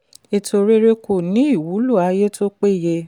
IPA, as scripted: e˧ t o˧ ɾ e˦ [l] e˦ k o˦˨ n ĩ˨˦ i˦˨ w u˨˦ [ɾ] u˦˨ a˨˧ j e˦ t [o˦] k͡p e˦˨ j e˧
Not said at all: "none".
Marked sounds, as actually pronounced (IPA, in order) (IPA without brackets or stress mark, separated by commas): ɾ, l, o˦